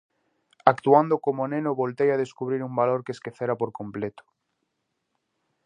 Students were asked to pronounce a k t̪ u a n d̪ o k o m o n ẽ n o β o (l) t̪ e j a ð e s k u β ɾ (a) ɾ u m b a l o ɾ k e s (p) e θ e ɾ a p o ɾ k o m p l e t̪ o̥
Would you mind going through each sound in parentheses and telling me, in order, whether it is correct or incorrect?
correct, incorrect, incorrect

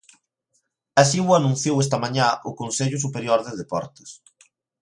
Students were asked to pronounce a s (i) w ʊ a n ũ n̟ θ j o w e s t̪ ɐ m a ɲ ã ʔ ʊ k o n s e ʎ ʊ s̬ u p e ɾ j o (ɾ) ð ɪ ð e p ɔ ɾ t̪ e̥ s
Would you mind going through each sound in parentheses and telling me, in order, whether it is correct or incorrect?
correct, correct

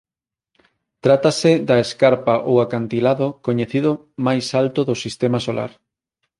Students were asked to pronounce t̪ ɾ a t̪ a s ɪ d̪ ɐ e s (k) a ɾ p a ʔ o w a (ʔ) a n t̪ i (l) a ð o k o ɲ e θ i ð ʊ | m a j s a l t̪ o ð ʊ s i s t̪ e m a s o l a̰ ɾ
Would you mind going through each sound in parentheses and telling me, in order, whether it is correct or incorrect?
correct, incorrect, correct

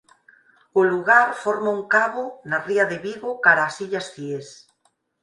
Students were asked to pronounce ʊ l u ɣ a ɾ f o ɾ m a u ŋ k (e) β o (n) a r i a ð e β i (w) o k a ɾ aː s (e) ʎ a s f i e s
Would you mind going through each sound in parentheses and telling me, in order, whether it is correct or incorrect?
incorrect, correct, incorrect, incorrect

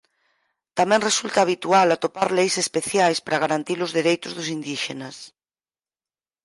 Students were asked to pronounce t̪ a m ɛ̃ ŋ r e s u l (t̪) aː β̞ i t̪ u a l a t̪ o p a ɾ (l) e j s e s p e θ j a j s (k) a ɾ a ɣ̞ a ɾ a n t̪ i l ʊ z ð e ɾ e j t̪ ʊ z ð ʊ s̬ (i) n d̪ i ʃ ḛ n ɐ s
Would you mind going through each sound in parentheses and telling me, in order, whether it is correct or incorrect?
correct, correct, incorrect, correct

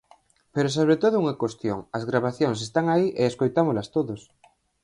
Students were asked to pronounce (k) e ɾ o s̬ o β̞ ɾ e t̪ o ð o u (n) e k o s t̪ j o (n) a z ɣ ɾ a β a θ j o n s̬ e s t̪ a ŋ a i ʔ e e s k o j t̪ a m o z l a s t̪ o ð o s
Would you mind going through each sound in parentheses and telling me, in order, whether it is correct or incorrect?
incorrect, incorrect, incorrect

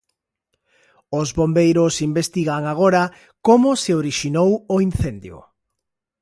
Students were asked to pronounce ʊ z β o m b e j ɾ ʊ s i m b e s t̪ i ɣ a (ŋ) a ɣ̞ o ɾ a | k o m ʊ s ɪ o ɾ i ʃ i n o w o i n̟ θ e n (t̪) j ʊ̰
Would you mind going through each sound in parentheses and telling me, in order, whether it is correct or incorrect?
correct, incorrect

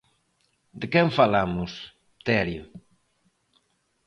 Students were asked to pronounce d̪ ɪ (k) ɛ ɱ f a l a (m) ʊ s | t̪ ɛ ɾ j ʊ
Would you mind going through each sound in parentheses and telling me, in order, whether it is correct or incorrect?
correct, correct

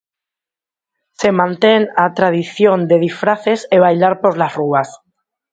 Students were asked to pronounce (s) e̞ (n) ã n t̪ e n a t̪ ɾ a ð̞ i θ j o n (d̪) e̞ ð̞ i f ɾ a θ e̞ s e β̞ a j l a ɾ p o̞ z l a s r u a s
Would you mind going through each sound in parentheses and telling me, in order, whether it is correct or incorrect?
correct, incorrect, correct

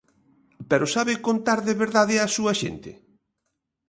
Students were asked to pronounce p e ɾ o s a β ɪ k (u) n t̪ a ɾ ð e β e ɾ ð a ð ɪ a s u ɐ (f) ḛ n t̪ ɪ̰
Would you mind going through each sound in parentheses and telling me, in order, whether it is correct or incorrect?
incorrect, incorrect

